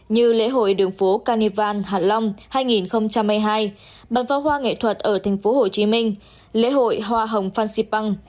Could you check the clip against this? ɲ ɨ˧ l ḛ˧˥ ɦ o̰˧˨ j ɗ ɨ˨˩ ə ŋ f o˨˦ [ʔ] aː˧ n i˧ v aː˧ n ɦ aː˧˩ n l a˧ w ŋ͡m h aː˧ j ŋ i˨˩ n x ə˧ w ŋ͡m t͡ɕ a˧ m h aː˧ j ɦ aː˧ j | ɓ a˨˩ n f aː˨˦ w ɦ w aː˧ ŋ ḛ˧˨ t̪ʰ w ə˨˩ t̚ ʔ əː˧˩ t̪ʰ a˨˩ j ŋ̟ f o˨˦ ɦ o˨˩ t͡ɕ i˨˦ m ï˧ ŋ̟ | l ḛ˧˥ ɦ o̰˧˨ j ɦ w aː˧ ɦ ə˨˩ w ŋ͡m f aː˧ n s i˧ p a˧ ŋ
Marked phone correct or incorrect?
incorrect